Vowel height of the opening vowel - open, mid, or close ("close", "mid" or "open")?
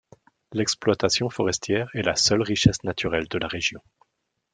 mid